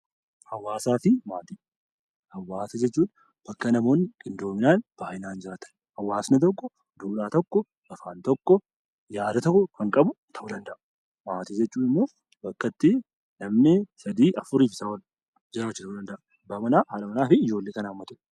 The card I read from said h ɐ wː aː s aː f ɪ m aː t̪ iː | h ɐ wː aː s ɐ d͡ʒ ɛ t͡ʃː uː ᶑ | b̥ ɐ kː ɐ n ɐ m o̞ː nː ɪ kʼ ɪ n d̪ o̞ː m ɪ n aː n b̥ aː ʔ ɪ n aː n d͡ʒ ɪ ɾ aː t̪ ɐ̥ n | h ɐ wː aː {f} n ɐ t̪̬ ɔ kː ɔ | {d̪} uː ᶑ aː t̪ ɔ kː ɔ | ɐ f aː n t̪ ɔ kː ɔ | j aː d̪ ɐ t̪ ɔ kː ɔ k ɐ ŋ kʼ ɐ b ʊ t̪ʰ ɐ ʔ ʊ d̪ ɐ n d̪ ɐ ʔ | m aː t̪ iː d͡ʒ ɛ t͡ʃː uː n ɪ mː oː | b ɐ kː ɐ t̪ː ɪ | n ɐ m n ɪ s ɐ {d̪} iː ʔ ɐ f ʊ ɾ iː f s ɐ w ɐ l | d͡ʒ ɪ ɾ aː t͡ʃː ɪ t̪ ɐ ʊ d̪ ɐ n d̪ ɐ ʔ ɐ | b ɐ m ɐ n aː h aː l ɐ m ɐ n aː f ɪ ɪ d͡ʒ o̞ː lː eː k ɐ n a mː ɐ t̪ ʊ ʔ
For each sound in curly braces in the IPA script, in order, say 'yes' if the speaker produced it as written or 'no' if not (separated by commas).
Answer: no, yes, yes